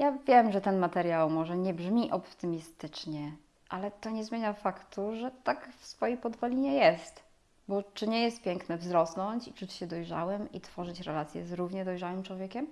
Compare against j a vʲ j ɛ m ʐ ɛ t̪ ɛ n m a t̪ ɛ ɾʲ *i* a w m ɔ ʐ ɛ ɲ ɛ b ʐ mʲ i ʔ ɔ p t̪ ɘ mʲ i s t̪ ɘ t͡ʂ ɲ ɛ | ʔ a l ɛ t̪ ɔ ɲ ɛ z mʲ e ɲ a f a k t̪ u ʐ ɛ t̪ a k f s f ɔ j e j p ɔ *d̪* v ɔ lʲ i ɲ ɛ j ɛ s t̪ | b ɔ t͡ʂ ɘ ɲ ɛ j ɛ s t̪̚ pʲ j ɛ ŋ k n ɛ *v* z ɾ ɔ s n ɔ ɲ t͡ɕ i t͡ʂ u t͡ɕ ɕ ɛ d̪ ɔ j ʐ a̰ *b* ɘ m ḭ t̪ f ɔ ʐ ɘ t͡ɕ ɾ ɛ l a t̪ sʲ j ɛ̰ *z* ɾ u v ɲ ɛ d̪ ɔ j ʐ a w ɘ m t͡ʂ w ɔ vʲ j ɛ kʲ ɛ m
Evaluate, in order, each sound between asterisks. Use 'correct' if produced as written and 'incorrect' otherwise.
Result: incorrect, correct, correct, incorrect, correct

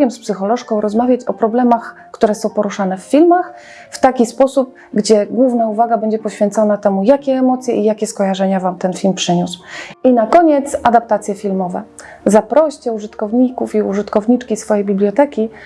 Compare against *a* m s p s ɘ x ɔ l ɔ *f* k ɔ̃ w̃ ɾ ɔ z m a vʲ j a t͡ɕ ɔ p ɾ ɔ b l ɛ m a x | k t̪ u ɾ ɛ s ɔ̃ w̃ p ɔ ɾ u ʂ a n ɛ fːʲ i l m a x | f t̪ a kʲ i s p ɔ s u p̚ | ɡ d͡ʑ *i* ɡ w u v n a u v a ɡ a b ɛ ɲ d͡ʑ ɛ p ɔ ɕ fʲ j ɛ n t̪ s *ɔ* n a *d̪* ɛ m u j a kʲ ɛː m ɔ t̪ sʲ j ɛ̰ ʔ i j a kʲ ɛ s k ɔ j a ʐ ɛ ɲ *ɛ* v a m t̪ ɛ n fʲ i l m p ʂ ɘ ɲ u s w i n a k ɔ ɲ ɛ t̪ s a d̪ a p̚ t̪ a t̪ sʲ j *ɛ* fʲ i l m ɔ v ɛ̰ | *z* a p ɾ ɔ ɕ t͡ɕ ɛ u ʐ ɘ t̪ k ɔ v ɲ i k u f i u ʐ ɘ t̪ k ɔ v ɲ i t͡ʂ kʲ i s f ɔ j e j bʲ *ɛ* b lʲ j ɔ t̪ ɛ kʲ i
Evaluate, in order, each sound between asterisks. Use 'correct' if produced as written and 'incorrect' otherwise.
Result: incorrect, incorrect, incorrect, correct, incorrect, incorrect, correct, correct, incorrect

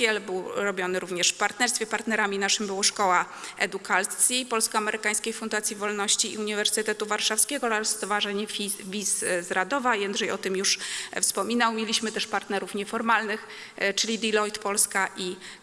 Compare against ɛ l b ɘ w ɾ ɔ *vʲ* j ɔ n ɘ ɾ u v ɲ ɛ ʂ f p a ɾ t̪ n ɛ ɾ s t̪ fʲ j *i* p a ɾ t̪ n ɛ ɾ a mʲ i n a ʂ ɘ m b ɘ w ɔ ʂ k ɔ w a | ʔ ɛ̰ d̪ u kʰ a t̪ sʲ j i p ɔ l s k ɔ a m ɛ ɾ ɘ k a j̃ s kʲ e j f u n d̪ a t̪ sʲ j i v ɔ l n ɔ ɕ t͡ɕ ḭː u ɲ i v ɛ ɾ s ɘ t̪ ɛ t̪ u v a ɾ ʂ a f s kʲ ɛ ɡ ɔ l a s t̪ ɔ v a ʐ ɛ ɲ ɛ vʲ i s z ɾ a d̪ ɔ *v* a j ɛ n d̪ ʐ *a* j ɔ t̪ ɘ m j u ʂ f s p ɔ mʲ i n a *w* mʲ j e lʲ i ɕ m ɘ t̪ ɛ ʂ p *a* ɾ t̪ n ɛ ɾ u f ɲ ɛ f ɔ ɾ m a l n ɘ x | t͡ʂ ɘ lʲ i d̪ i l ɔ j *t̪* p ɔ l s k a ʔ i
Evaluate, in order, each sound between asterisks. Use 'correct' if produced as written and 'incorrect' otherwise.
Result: incorrect, incorrect, correct, incorrect, correct, correct, correct

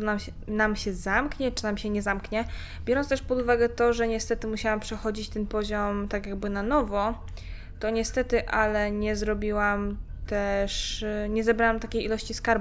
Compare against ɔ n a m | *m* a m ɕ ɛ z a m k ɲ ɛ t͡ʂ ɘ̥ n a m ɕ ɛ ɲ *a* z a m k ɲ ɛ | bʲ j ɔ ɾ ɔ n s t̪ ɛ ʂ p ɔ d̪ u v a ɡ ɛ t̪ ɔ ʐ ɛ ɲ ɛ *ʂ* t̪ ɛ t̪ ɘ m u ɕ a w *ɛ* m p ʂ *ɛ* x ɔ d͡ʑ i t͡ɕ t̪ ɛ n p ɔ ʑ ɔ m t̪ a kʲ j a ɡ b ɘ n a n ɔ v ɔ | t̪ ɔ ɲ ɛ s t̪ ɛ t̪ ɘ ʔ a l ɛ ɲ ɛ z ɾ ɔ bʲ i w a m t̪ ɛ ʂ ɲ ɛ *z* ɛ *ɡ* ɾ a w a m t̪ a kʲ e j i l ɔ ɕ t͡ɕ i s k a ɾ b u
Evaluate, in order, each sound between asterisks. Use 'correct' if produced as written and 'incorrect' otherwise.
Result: incorrect, incorrect, incorrect, incorrect, correct, correct, incorrect

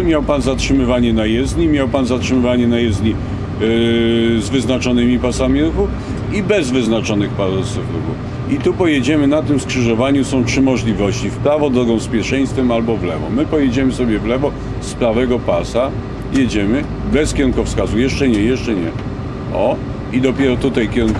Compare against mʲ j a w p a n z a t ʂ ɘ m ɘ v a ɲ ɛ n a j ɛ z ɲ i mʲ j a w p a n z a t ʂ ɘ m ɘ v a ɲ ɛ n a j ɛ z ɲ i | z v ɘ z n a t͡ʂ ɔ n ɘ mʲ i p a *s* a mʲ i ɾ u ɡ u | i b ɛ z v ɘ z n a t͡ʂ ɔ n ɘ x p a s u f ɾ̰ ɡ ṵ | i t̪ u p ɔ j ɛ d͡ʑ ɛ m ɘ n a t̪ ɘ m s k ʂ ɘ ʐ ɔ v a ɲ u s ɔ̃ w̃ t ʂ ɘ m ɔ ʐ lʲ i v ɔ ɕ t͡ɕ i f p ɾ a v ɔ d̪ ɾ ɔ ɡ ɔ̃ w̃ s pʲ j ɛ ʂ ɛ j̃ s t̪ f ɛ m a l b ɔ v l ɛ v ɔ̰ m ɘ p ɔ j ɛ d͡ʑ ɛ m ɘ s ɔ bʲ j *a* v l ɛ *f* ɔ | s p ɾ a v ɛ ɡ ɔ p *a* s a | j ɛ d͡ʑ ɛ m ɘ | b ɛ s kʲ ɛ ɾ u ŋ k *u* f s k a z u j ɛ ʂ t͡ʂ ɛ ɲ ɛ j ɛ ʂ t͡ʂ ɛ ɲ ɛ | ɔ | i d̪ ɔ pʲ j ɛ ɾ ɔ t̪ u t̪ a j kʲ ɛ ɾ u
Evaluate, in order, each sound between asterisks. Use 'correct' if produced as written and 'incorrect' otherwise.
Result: correct, incorrect, incorrect, correct, incorrect

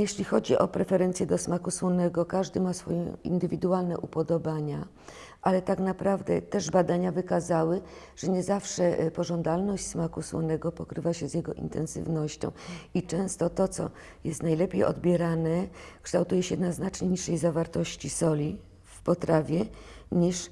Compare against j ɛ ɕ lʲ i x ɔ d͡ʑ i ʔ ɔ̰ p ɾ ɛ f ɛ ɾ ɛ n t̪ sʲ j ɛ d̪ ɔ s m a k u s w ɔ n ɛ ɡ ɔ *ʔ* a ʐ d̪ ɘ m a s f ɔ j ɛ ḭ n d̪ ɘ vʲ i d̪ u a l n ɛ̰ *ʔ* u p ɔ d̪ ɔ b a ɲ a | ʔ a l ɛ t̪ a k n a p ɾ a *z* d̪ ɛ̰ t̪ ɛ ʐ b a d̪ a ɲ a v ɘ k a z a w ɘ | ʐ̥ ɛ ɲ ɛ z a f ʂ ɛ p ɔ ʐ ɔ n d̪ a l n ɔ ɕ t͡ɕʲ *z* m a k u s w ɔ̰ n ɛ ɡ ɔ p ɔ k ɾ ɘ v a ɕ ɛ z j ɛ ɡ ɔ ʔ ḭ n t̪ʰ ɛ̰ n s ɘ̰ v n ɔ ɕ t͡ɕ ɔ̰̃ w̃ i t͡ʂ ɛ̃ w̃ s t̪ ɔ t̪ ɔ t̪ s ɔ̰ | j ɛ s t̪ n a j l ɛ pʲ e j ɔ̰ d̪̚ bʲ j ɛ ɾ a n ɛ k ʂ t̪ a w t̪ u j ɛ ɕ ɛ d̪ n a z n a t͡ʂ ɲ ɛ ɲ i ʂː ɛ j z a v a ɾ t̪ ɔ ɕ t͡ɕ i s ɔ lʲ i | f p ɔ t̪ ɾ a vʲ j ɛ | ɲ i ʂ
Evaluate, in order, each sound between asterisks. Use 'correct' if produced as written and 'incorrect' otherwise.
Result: incorrect, correct, incorrect, incorrect

